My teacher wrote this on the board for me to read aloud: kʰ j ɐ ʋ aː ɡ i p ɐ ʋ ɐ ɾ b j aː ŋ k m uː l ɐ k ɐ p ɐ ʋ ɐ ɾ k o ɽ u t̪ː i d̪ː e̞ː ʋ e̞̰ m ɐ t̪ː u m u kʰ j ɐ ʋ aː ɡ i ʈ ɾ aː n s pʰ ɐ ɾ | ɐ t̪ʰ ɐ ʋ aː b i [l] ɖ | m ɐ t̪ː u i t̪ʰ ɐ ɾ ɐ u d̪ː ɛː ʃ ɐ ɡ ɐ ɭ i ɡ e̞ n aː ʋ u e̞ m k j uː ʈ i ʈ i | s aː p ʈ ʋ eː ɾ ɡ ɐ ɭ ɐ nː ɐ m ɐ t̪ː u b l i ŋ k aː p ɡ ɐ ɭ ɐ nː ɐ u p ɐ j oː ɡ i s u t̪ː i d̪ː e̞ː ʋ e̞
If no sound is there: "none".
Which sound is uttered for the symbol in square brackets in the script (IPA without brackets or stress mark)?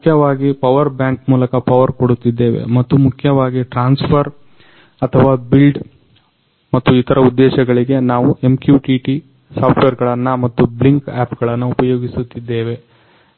l